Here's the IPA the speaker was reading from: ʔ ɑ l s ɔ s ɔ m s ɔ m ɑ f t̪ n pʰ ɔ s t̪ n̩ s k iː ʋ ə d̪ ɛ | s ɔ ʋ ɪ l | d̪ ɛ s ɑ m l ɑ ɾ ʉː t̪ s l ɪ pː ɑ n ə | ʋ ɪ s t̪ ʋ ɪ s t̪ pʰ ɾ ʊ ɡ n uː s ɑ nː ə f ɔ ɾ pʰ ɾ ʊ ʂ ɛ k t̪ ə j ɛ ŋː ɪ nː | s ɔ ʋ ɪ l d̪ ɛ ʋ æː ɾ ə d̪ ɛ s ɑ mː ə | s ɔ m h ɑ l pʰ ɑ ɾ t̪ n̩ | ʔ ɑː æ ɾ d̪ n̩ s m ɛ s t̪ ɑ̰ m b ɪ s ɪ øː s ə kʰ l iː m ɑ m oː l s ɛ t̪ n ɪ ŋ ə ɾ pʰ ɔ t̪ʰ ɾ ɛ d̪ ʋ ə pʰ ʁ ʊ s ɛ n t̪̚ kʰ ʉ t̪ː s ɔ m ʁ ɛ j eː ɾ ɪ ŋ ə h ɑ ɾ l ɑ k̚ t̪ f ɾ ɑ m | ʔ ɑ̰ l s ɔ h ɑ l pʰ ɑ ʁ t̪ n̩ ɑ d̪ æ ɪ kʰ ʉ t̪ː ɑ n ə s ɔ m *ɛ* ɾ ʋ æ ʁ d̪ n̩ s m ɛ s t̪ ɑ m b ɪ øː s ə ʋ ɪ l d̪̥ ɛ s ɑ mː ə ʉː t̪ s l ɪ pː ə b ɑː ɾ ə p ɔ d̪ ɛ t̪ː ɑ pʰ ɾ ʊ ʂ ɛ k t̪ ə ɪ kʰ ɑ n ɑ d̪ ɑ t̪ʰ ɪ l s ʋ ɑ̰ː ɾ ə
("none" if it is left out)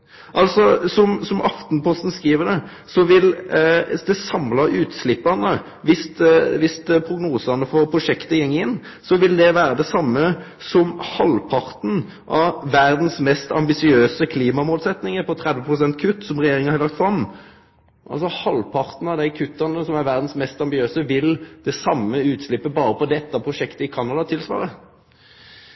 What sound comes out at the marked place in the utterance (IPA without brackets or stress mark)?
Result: æ